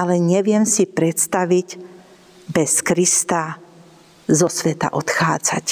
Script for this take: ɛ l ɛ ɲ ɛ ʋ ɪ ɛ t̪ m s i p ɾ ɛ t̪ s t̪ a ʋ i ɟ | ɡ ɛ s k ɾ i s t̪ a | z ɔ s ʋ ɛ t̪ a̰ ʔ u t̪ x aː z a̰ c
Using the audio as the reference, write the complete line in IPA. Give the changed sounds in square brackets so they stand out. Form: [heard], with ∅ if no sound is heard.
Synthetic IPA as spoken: [a] l ɛ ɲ ɛ ʋ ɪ ɛ [∅] m s i p ɾ ɛ t̪ s t̪ a ʋ i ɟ | [b] ɛ s k ɾ i s t̪ a | z ɔ s ʋ ɛ t̪ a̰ ʔ [ɔ] t̪ x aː [d͡z] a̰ c